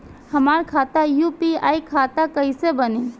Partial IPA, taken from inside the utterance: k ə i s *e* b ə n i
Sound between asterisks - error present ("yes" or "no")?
no